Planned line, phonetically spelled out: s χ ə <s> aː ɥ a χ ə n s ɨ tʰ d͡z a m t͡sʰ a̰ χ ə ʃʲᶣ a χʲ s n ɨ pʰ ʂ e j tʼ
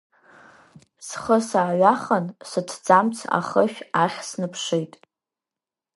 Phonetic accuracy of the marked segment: correct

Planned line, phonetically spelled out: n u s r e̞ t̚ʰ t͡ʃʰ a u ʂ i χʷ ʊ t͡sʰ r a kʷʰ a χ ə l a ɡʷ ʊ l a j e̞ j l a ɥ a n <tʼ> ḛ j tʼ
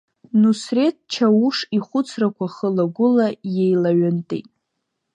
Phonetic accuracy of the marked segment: correct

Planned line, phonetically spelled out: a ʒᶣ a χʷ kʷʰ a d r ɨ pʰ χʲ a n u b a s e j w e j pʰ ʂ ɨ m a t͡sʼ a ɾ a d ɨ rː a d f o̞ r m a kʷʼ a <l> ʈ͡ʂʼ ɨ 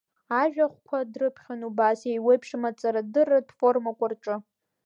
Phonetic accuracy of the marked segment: incorrect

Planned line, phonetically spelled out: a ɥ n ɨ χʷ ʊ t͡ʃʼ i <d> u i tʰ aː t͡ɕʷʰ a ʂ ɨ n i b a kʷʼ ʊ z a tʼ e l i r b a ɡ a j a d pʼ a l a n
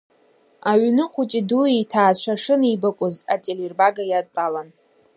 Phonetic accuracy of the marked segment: correct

